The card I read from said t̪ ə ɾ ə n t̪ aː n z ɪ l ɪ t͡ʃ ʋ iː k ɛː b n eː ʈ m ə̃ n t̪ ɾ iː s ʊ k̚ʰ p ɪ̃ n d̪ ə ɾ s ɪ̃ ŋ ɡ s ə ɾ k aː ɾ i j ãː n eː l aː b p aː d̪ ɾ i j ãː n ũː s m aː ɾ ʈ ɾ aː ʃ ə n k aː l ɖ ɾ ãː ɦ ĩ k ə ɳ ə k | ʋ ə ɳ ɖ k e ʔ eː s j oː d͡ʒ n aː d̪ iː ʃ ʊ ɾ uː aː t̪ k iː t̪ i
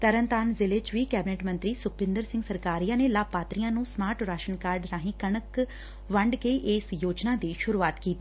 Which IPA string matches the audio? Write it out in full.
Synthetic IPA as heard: t̪ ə ɾ ə n t̪ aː n z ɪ l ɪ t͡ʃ ʋ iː k ɛː b n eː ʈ m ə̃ n t̪ ɾ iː s ʊ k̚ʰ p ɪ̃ n d̪ ə ɾ s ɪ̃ ŋ ɡ s ə ɾ k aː ɾ i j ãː n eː l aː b p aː t̪ ɾ i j ãː n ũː s m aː ɾ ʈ ɾ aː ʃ ə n k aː ɾ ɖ ɾ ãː ɦ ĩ k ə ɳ ə k | ʋ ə ɳ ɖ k e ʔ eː s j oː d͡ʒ n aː d̪ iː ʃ ʊ ɾ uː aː t̪ k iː t̪ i